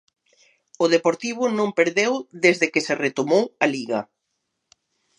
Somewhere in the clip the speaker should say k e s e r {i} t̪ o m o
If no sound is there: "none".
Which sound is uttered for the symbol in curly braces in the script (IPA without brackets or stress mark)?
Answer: e